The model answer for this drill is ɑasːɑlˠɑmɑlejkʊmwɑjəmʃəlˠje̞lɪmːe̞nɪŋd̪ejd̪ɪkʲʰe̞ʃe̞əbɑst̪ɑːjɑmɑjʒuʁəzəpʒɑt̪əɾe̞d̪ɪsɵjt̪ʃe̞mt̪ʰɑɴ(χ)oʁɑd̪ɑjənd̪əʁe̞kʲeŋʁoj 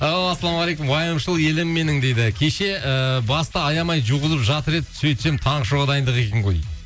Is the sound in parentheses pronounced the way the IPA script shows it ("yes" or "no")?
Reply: no